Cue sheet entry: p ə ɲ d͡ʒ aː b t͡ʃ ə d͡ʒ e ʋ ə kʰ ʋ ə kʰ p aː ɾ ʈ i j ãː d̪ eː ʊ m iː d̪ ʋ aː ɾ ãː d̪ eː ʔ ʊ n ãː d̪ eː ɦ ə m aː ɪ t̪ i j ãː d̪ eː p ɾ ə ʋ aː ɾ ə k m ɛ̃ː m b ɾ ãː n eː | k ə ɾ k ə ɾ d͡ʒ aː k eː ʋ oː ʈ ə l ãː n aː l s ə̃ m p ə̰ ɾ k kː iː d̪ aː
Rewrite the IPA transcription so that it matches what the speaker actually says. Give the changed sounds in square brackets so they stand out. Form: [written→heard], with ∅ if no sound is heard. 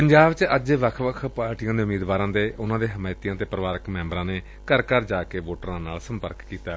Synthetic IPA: p ə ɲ d͡ʒ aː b t͡ʃ ə d͡ʒ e ʋ ə kʰ ʋ ə kʰ p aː ɾ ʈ i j ãː d̪ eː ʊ m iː d̪ ʋ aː ɾ ãː d̪ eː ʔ ʊ n ãː d̪ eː ɦ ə m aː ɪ t̪ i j ãː [d̪→t̪] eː p ɾ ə ʋ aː ɾ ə k m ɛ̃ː m b ɾ ãː n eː | k ə ɾ k ə ɾ d͡ʒ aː k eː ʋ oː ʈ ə [l→ɾ] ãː n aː l s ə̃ m p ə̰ ɾ k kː iː [d̪→t̪] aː